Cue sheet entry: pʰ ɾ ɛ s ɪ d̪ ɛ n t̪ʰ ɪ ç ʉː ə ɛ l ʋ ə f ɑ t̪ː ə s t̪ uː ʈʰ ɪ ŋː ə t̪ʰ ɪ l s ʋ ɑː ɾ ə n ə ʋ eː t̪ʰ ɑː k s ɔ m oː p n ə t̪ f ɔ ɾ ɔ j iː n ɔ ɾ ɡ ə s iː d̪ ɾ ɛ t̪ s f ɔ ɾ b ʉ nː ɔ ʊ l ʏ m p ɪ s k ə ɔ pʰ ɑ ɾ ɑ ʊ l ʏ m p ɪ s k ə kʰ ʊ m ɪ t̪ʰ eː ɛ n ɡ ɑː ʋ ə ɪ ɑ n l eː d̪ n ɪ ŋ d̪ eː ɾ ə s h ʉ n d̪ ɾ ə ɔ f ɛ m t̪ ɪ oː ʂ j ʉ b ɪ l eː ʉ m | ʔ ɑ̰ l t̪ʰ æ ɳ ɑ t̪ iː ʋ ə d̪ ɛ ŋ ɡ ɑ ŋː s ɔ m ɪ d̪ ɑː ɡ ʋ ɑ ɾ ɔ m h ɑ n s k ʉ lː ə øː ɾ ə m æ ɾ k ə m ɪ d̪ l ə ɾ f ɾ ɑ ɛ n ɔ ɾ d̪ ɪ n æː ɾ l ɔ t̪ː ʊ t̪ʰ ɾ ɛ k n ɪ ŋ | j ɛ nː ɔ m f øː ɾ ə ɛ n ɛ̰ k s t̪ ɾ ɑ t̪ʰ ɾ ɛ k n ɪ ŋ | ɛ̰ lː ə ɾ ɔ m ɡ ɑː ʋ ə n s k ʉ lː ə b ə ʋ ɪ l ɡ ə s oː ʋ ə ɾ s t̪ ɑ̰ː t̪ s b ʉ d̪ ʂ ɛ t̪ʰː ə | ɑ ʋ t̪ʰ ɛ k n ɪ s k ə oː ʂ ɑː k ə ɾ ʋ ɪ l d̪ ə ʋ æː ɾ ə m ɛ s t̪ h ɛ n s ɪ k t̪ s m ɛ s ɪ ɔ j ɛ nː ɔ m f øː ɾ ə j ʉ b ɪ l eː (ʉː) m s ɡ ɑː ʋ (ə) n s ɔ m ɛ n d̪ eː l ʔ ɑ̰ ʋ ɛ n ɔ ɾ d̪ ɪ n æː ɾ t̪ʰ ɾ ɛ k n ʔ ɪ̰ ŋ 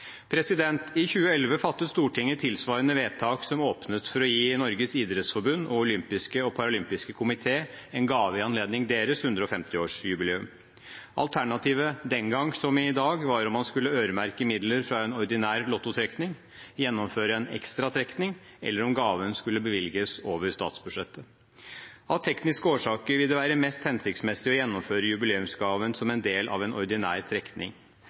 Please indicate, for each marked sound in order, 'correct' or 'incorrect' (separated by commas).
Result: incorrect, correct